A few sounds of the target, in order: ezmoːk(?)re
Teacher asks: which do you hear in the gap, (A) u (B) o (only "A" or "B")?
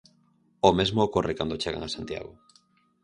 B